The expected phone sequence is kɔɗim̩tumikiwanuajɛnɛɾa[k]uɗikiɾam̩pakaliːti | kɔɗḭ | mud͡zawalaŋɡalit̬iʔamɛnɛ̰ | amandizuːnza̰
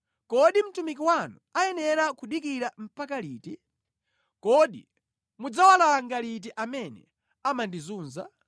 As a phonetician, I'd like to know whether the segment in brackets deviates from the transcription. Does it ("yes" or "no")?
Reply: no